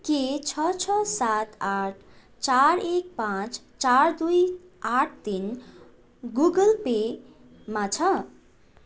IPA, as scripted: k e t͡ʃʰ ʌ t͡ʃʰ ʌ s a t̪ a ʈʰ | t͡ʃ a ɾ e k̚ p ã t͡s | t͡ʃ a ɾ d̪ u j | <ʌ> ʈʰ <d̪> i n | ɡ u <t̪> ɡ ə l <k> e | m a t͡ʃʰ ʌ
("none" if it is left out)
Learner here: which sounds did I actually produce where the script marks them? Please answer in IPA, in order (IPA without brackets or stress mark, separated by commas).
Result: a, t̪, none, p